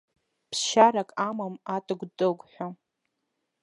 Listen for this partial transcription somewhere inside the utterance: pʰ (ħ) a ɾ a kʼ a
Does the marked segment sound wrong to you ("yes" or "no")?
yes